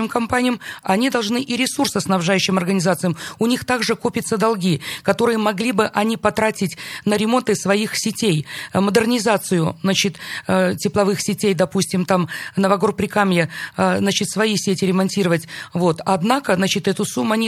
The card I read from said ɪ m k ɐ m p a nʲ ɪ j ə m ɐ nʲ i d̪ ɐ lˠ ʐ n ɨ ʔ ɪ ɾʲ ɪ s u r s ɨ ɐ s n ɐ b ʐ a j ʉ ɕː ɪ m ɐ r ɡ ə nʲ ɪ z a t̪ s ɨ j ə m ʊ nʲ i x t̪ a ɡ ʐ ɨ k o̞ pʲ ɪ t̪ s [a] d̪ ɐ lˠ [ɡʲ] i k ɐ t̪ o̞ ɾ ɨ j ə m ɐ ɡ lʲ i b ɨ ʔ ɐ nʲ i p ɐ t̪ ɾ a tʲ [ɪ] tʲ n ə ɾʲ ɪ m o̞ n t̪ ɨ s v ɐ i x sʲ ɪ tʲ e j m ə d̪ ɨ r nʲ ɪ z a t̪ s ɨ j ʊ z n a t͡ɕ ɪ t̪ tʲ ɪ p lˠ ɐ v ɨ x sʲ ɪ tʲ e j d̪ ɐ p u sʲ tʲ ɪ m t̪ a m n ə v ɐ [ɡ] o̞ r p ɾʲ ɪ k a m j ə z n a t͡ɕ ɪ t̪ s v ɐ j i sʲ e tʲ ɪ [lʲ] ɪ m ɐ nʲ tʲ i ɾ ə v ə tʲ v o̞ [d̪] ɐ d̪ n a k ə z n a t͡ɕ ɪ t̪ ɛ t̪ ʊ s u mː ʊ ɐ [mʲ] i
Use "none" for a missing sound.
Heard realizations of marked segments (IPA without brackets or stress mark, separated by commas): ə, ɡʲ, ɪ, ɡ, ɾʲ, t̪, nʲ